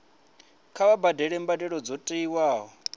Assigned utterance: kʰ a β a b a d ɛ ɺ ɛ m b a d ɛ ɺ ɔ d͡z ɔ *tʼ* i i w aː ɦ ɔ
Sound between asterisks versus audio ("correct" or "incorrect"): correct